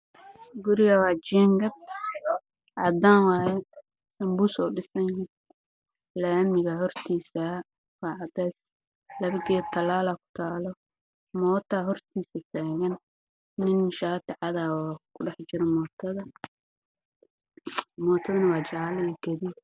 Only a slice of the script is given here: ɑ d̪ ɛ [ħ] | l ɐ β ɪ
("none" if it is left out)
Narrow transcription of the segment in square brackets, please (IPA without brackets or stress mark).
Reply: s